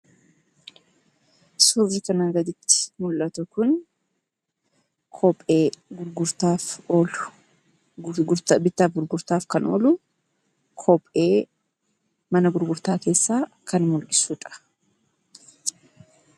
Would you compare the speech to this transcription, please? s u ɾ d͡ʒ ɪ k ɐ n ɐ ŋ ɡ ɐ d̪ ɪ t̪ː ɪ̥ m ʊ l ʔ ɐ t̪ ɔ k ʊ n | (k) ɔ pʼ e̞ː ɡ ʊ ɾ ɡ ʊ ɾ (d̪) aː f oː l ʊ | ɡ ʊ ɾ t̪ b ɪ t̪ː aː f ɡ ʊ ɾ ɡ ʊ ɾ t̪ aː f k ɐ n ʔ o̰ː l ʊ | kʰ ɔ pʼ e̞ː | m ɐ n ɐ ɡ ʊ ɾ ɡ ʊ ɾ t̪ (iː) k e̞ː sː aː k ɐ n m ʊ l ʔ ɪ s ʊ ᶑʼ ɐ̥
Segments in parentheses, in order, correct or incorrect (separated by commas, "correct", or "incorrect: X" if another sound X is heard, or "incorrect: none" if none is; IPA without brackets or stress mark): incorrect: kʰ, incorrect: t̪, incorrect: aː